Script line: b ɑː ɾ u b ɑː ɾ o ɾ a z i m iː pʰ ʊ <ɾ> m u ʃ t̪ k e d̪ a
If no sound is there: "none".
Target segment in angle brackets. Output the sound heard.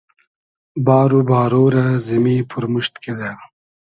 ɾ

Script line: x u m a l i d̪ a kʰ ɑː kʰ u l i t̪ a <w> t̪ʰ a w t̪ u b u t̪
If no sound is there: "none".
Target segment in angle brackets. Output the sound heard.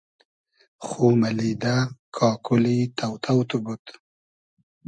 w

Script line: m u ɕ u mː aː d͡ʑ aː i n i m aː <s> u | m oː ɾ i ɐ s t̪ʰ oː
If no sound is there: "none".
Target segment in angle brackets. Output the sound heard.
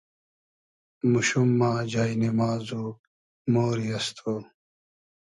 z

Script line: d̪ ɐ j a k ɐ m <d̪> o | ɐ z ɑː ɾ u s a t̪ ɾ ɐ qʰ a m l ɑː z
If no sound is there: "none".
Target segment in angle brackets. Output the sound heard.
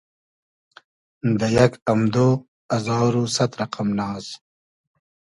d̪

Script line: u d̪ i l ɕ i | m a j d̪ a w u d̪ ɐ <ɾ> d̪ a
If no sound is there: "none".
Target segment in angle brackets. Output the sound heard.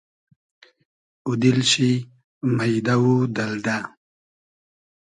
l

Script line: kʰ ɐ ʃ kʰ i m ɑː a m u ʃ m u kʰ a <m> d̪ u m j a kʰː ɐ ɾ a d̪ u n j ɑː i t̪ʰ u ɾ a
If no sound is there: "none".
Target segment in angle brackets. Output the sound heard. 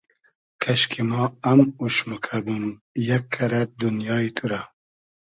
none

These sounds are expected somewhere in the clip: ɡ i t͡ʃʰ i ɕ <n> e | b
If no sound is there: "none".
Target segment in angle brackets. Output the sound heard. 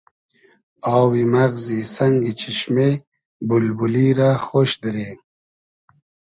m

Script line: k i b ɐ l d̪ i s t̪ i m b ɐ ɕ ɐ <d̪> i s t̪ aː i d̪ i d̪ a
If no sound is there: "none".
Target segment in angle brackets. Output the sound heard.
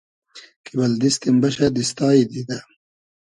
d̪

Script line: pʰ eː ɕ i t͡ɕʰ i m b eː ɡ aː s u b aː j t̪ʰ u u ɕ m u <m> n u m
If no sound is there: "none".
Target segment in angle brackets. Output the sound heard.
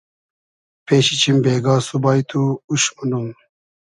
none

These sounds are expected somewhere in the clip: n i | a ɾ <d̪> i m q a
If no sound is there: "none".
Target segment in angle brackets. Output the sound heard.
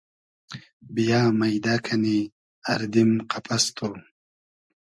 d̪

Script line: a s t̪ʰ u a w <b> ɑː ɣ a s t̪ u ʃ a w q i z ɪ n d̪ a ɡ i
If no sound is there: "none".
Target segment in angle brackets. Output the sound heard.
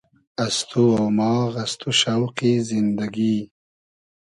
m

